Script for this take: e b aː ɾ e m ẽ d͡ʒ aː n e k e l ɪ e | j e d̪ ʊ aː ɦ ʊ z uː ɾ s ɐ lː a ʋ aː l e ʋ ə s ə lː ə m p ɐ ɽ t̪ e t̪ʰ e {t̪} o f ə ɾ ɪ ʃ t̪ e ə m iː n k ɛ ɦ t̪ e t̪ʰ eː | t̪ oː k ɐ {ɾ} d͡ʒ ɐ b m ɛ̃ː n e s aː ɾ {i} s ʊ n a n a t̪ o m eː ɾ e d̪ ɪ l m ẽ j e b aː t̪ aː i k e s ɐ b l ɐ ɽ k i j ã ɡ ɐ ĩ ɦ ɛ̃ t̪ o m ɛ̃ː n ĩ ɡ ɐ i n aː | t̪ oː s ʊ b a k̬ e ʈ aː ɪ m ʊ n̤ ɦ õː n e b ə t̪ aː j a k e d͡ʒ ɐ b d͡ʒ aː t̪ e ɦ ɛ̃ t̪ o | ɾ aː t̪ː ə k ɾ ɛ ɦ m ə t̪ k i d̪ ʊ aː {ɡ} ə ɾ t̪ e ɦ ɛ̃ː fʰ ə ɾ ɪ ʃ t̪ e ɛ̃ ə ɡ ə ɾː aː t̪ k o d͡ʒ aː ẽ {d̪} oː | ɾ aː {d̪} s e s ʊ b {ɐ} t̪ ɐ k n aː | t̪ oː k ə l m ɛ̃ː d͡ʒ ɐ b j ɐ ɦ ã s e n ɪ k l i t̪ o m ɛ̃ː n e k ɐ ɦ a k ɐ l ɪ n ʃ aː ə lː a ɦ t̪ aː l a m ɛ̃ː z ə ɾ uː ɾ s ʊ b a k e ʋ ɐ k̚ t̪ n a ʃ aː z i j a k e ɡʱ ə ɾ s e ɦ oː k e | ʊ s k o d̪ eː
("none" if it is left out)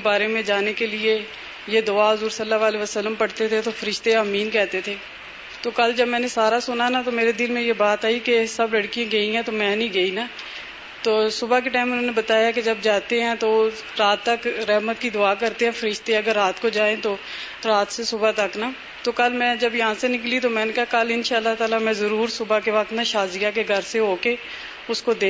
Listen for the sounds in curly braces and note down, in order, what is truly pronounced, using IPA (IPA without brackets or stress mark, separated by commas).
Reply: t̪, l, a, k, t̪, t̪, a